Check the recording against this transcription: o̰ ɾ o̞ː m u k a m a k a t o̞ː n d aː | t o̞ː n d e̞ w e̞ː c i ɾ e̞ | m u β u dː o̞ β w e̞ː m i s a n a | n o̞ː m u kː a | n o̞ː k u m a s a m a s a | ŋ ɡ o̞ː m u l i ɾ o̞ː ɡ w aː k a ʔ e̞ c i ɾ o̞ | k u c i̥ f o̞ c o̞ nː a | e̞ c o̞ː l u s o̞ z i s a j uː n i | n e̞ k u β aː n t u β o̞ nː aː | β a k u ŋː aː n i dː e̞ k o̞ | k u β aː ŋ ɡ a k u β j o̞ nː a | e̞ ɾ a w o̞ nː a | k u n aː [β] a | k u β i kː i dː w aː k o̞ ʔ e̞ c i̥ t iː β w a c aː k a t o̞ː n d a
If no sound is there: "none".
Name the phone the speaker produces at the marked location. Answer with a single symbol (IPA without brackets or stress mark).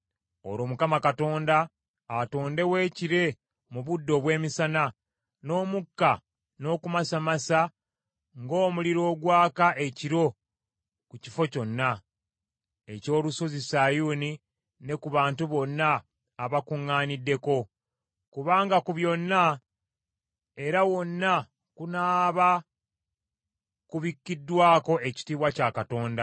β